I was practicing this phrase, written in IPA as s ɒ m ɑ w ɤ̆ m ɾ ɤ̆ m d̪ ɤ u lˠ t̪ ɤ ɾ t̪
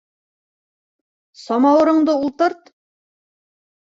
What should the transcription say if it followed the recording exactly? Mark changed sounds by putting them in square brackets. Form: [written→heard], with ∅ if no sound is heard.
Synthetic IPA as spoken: s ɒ m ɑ w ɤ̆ [m→∅] ɾ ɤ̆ [m→ɴ] d̪ ɤ u lˠ t̪ ɤ ɾ t̪